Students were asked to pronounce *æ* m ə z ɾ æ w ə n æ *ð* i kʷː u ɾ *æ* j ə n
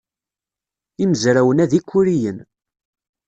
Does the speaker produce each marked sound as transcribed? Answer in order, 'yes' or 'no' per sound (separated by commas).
no, yes, no